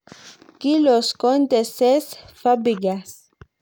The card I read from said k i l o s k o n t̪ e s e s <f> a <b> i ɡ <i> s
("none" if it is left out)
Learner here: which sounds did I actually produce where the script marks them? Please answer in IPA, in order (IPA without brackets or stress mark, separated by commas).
f, b, a